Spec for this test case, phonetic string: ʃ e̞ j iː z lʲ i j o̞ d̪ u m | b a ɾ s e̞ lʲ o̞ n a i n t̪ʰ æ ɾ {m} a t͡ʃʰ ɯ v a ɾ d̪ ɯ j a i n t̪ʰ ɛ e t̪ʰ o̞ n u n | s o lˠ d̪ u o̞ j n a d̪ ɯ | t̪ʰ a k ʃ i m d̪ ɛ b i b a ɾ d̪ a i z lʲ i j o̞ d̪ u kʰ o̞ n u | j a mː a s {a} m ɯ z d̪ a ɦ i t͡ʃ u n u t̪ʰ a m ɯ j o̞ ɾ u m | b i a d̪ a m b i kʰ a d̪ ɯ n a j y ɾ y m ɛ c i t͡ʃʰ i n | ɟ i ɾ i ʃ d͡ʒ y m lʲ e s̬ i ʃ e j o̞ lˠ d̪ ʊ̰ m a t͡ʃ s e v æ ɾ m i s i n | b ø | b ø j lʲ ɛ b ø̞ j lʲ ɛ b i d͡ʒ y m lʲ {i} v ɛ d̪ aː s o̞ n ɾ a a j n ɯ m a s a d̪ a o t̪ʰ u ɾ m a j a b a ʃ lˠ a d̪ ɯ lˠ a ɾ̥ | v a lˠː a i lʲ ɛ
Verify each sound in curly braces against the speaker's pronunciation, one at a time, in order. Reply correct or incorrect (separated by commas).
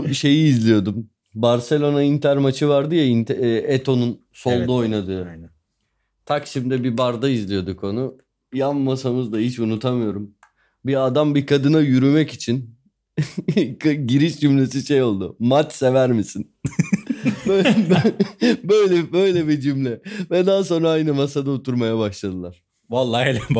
correct, correct, incorrect